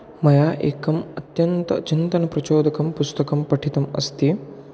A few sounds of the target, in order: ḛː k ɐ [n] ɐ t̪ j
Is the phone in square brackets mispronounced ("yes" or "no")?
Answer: yes